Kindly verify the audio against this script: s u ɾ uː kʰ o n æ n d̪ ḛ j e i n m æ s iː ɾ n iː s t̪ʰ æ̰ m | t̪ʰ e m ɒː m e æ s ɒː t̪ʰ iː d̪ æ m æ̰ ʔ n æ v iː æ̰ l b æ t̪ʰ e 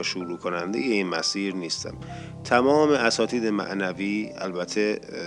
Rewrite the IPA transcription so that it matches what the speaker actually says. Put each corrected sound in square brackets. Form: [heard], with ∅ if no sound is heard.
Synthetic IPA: [ʃ] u ɾ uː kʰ o n æ n d̪ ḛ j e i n m æ s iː ɾ n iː s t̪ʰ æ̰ m | t̪ʰ [æ] m ɒː m e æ s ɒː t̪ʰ iː d̪ [e] m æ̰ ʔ n æ v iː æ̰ l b æ t̪ʰ e